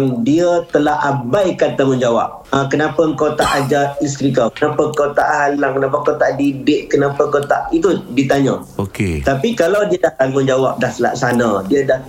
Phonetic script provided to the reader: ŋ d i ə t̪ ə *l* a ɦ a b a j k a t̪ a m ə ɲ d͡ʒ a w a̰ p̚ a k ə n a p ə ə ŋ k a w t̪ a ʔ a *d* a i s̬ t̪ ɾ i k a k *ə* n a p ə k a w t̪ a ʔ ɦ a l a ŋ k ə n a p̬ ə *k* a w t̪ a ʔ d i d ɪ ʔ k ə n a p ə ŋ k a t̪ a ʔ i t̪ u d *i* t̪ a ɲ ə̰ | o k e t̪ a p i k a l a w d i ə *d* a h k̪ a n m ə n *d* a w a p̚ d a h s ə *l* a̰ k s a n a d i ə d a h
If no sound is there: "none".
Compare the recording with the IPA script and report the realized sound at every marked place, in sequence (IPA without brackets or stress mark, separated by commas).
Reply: l, d͡ʒ, ə, k, i, d, d͡ʒ, l